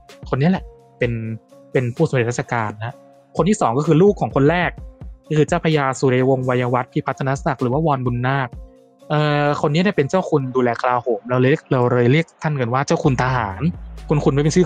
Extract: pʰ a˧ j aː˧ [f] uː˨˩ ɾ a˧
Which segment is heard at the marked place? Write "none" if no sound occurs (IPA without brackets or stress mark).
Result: s